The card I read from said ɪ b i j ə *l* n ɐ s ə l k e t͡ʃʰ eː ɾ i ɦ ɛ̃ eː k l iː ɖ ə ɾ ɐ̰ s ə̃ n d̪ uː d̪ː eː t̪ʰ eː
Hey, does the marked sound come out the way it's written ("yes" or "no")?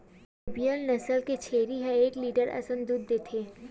yes